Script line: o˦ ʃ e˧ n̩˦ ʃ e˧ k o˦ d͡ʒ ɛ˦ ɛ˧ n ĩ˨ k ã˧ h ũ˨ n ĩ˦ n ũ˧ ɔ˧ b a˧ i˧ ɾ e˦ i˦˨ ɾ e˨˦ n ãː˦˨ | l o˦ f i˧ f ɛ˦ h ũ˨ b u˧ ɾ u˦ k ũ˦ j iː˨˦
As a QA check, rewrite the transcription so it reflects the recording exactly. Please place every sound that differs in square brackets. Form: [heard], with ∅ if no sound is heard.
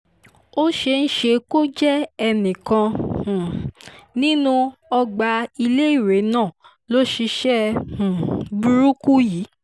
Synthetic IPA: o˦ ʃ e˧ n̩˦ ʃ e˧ k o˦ d͡ʒ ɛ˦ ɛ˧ n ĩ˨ k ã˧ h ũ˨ n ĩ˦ n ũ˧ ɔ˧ [ɡ͡b] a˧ i˧ [l] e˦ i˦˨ ɾ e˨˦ n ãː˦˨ | l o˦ [ʃ] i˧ [ʃ] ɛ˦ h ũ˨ b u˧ ɾ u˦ k [u˦] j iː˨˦